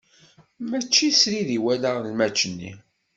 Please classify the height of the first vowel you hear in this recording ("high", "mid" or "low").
low